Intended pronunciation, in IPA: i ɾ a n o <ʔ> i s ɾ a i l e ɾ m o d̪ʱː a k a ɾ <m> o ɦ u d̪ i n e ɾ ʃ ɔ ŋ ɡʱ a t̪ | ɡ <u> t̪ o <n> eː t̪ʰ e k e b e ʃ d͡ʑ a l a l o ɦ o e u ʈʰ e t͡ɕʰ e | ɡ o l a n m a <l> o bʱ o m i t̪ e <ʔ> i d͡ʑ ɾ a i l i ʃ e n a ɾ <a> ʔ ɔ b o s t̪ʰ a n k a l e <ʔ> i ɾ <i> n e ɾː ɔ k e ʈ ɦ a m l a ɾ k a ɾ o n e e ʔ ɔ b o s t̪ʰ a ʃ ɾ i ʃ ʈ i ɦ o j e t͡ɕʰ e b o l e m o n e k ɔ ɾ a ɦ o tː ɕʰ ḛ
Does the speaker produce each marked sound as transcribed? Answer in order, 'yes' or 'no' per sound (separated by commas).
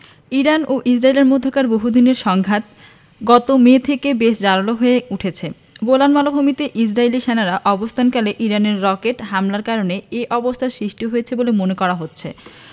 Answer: yes, no, no, no, yes, yes, yes, yes, no